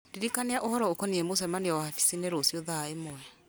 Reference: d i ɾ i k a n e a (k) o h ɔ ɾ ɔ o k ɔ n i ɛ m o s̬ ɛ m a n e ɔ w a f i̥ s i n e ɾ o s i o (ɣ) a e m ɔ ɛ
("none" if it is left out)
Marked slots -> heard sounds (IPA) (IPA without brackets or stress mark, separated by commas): ʔ, ð